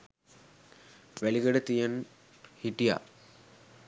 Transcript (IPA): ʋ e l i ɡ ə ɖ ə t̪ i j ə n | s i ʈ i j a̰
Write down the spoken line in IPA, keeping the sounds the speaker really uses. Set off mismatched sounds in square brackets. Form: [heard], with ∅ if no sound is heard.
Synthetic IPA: ʋ [æ] l i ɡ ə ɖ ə t̪ i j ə n | [h] i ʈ i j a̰